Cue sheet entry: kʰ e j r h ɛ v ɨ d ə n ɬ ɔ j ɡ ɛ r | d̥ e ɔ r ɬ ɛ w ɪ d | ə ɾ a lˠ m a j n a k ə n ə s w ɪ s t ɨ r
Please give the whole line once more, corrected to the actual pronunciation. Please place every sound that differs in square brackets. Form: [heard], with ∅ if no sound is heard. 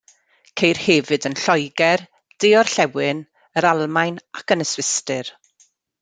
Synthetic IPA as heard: kʰ e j r h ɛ v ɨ d ə n ɬ ɔ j ɡ ɛ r | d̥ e ɔ r ɬ ɛ w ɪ [n] | ə ɾ a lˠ m a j n a k ə n ə s w ɪ s t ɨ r